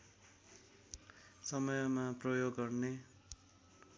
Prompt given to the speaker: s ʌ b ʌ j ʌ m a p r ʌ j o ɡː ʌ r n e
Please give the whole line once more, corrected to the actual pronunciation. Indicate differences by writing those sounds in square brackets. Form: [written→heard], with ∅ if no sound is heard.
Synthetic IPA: s ʌ [b→m] ʌ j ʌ m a p r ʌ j o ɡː ʌ r n e